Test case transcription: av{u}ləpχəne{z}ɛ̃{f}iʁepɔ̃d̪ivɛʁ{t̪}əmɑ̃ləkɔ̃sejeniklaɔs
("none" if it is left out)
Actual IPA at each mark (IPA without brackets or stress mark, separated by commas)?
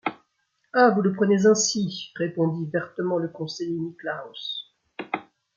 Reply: u, z, s, t̪